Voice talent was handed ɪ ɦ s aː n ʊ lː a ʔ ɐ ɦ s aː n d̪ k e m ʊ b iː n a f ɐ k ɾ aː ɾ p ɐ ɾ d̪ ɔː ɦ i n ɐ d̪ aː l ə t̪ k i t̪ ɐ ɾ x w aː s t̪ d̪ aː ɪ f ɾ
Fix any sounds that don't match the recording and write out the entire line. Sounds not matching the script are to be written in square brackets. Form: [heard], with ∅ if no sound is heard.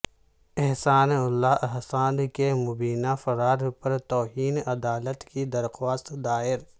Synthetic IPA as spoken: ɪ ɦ s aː n ʊ lː a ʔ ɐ ɦ s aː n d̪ k e m ʊ b iː n a f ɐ [∅] ɾ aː ɾ p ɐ ɾ [t̪] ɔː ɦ [iː] n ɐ d̪ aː l ə t̪ k i [d̪] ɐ ɾ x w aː s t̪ d̪ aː ɪ [∅] ɾ